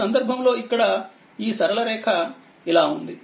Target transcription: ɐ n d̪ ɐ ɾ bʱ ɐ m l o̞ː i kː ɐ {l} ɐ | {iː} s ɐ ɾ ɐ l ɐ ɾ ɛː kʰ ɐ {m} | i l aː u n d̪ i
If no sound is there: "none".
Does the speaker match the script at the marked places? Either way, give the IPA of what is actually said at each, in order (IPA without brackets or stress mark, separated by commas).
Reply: ɽ, iː, none